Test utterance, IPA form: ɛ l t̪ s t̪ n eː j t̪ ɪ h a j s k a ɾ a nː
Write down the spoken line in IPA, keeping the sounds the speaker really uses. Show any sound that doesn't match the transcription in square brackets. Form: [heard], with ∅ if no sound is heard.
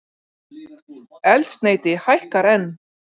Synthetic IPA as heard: ɛ l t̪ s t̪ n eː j t̪ ɪ h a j [h] k a ɾ [ɛ] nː